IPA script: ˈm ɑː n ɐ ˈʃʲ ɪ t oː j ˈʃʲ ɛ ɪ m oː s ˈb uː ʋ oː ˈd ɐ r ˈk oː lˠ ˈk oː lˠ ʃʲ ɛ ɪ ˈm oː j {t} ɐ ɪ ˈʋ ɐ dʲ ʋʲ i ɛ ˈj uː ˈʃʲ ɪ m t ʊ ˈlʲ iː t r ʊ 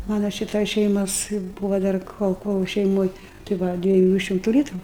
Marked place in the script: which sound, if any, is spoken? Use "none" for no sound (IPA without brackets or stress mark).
t